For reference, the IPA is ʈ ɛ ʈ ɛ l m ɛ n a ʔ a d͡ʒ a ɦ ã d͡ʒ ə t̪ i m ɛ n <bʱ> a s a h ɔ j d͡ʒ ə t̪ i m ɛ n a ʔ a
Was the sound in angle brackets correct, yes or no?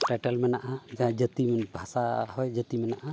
yes